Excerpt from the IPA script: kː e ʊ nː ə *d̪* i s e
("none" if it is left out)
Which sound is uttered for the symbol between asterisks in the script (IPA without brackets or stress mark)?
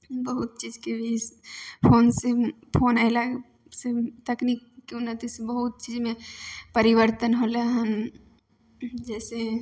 t̪